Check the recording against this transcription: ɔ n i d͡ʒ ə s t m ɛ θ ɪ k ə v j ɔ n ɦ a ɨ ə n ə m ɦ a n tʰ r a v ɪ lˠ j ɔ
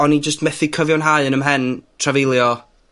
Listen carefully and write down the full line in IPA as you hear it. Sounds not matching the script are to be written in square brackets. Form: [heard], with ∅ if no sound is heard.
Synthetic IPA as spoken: ɔ n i d͡ʒ ə s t m ɛ θ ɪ [kʰ] ə v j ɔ n ɦ a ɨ ə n ə m ɦ [ɛ] n tʰ r a v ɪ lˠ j ɔ